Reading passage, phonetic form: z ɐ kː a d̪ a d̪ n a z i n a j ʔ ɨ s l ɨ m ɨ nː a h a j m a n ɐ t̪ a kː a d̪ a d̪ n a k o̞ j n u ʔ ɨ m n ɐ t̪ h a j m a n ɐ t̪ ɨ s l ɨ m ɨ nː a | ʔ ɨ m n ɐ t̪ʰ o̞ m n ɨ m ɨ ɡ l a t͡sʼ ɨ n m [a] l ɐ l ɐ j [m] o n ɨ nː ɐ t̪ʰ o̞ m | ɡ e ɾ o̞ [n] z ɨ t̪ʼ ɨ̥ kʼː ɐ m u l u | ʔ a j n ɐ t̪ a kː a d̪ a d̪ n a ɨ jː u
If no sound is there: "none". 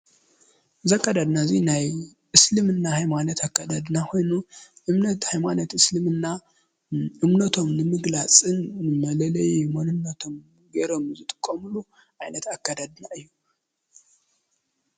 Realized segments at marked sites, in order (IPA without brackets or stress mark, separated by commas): ɐ, m, m